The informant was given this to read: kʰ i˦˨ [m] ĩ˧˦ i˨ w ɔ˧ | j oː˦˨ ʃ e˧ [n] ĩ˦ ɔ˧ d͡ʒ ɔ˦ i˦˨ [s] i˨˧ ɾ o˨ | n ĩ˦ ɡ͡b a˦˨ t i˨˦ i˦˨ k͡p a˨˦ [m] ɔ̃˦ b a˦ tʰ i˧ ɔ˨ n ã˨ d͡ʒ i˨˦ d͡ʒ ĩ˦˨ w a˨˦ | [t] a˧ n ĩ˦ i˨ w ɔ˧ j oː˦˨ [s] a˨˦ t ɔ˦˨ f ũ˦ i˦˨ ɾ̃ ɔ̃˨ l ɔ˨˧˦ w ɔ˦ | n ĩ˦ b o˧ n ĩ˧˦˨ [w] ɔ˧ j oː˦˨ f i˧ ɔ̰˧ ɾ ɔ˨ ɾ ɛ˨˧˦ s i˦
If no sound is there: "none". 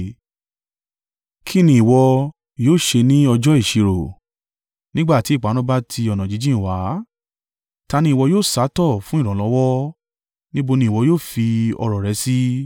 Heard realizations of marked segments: n, n, ʃ, n, t, s, w

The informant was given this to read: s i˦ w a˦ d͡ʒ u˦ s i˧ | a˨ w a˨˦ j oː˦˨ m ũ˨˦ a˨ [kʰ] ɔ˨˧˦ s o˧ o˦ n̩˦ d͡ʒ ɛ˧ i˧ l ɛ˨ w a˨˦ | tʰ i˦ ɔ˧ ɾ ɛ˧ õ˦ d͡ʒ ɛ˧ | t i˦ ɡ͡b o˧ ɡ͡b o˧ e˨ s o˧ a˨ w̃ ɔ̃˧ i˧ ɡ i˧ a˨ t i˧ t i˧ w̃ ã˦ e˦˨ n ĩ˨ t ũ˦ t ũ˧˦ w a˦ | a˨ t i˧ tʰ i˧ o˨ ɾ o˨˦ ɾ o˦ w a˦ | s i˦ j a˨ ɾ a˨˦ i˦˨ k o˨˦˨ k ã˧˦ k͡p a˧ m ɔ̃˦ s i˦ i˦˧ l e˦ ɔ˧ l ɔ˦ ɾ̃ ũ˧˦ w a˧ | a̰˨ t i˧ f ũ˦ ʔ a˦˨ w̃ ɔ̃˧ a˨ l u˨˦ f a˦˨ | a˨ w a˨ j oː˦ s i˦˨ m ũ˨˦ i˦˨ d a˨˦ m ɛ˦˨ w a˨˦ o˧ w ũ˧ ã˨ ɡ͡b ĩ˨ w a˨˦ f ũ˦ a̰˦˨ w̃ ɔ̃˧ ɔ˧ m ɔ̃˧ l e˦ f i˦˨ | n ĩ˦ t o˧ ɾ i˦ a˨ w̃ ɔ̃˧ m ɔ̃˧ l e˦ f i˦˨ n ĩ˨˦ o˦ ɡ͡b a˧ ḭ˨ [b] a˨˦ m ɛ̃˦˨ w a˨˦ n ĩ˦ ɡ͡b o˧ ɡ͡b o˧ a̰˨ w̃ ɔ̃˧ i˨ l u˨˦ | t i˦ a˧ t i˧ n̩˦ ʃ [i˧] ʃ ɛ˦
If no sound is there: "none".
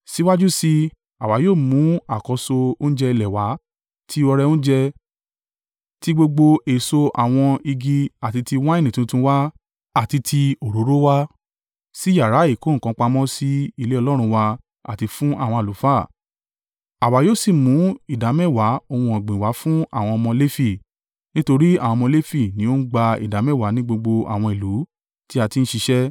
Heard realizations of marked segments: k, d, i˧

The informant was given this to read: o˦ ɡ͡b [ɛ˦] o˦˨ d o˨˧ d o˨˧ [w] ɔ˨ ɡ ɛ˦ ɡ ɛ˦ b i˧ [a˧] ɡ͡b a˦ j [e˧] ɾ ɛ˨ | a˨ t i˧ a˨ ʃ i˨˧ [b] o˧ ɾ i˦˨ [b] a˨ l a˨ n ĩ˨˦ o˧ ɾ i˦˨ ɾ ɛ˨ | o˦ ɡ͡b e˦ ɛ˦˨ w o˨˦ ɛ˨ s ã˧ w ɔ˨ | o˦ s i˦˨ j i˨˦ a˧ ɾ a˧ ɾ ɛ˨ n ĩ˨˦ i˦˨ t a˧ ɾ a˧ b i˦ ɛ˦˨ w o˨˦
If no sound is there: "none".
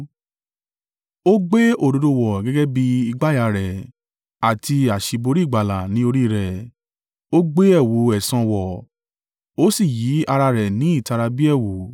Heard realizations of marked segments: e˦, w, i˧, a˧, b, ɡ͡b

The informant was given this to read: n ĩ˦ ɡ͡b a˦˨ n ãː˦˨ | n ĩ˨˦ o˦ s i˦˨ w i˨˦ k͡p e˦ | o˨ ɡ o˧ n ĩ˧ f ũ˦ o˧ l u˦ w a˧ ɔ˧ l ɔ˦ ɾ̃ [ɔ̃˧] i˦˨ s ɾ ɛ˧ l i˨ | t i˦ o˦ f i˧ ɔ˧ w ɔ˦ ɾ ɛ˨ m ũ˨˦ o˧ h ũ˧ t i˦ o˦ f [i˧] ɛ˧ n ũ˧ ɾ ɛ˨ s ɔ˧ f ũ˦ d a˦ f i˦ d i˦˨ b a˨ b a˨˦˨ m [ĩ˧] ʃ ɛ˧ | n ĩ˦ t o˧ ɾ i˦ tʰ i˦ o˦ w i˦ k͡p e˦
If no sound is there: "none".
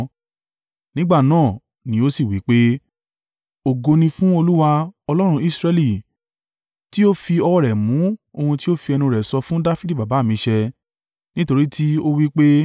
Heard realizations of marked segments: ũ˧, i˧, ĩ˧

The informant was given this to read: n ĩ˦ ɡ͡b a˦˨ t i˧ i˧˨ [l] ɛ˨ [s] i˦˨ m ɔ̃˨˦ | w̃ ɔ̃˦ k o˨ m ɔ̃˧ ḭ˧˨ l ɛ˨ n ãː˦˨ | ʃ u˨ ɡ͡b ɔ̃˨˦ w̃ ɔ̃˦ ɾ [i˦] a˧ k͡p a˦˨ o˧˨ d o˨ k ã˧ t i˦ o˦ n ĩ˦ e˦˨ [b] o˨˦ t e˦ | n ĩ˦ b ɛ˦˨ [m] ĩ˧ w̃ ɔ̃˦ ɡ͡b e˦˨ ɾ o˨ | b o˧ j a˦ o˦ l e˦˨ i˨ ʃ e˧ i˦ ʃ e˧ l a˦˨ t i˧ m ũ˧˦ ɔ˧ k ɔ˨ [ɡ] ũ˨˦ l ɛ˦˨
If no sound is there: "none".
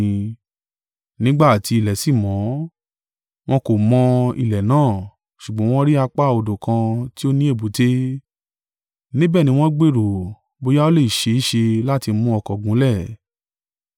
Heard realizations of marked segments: l, s, i˦, b, n, ɡ

